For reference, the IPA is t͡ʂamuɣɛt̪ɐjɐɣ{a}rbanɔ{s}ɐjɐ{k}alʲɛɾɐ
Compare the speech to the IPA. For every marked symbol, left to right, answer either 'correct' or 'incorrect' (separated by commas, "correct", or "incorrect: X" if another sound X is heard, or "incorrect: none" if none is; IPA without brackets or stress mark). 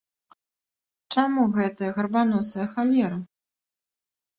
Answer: incorrect: ɐ, correct, incorrect: x